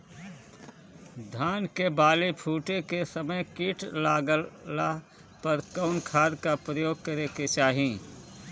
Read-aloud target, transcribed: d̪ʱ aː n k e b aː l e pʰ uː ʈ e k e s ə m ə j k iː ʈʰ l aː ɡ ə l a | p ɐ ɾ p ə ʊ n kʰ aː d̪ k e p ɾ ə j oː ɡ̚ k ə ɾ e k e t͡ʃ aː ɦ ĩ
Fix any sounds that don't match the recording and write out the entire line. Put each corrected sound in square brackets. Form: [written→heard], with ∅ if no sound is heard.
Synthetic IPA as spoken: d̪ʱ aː n k e b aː l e pʰ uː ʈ e k e s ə m ə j k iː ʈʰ l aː ɡ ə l a | p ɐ ɾ [p→k] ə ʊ n kʰ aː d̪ k [e→a] p ɾ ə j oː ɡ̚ k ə ɾ e k e t͡ʃ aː ɦ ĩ